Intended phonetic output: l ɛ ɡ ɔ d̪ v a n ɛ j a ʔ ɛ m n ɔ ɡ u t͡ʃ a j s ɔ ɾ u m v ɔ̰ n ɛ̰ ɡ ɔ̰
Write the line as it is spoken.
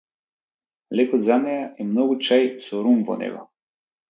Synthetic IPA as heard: l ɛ k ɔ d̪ z a n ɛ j a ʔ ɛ m n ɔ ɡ u t͡ʃ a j s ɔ ɾ u m v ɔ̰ n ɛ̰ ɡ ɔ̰